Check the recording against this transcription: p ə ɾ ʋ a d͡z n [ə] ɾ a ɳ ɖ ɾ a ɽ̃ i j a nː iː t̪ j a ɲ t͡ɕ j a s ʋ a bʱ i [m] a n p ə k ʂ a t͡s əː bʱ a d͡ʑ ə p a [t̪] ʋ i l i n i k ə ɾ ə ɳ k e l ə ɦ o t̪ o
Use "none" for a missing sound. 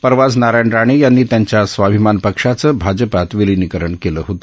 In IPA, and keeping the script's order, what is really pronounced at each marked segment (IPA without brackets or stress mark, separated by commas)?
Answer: a, m, t̪